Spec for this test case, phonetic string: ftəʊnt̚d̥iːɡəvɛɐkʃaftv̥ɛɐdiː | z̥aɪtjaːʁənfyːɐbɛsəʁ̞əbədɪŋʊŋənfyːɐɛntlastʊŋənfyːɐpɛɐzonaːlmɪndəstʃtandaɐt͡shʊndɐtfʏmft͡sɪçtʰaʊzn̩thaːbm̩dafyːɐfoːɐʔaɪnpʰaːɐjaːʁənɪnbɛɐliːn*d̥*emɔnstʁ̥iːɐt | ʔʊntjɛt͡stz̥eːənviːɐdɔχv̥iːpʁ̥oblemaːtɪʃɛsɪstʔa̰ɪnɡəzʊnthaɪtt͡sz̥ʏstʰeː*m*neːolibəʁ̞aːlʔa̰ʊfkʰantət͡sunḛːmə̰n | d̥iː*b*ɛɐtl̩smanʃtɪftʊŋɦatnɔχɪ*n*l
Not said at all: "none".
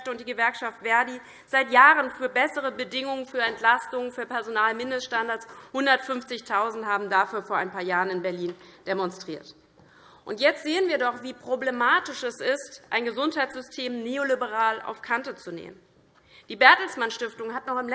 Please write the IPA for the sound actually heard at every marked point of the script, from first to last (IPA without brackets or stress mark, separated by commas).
d̥, m, b, m